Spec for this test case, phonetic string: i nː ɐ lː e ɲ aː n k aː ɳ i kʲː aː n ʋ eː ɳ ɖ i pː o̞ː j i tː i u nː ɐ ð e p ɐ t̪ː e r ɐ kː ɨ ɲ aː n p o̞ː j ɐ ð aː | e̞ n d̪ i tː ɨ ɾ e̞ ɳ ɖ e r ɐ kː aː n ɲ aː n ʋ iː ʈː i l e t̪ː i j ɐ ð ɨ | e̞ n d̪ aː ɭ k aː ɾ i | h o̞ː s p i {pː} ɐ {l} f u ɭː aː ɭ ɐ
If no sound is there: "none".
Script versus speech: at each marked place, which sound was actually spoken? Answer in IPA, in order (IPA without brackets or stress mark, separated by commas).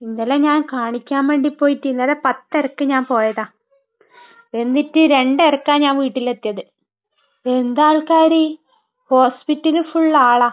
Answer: tː, l